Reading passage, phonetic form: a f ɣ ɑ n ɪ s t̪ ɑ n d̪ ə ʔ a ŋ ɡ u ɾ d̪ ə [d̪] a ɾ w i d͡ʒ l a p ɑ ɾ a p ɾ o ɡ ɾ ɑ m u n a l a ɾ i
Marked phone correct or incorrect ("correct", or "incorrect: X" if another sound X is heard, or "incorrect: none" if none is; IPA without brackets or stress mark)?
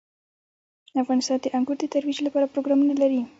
incorrect: t̪